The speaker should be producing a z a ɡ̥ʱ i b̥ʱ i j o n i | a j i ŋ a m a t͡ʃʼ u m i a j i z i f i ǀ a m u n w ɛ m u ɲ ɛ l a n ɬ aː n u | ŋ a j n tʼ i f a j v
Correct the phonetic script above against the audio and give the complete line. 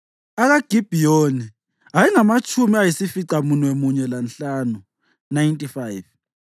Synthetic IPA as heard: a ɣ a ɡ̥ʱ i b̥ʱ i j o n i | a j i ŋ a m a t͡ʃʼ u m i a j i s i f i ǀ a m u n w ɛ m u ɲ ɛ l a n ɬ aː n u | n a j n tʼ i f a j v